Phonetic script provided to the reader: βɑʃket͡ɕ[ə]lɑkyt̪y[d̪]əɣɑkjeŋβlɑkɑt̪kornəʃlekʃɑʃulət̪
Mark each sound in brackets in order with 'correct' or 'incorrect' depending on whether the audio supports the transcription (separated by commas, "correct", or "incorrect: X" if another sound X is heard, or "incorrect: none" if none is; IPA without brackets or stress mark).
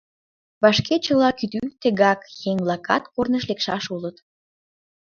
correct, incorrect: t̪